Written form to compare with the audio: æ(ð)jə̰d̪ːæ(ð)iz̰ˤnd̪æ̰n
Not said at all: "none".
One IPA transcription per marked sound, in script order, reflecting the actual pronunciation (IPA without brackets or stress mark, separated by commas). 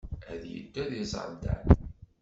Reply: ð, ð